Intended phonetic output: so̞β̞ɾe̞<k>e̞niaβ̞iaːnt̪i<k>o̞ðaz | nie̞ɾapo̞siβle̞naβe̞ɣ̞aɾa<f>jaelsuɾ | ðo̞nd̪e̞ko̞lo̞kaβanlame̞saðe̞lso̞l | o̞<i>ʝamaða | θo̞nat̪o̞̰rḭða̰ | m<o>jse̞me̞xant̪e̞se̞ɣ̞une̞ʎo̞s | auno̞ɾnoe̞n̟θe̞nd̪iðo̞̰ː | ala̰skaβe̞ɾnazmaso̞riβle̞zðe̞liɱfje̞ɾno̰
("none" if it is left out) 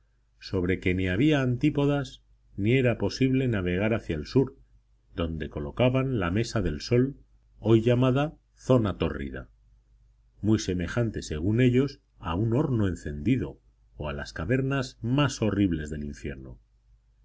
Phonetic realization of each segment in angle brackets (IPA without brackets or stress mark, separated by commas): k, p, θ, j, u